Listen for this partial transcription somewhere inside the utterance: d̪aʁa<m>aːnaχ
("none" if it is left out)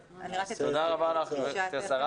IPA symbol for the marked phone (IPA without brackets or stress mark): b